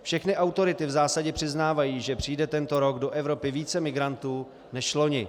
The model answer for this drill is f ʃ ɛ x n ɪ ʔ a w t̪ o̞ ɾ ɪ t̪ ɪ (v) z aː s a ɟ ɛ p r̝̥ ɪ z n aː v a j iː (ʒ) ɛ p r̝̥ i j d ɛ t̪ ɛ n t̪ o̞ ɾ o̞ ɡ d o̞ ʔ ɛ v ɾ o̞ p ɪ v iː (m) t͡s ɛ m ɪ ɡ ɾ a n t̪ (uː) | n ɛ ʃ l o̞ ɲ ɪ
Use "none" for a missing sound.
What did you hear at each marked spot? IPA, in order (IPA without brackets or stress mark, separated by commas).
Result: v, ʒ, none, uː